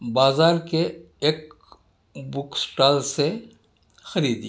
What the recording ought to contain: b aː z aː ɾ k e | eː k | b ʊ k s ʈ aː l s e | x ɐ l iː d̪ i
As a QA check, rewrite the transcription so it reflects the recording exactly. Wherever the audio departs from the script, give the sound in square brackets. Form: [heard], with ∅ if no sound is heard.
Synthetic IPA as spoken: b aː z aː ɾ k e | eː k | b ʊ k s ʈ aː l s e | x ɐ [ɾ] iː d̪ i